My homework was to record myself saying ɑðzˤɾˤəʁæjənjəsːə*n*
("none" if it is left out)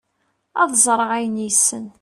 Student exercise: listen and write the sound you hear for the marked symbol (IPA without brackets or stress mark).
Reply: n